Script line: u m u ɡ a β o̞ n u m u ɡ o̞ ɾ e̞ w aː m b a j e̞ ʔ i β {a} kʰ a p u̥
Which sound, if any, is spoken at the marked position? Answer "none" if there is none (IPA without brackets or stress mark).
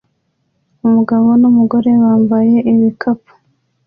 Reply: i